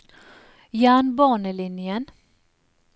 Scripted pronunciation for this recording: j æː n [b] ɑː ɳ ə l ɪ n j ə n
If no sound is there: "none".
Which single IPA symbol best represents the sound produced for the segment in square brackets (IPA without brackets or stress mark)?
b